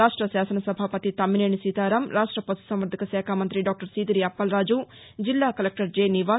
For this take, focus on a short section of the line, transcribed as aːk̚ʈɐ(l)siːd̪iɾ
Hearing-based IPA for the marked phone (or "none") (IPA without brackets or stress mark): ɾ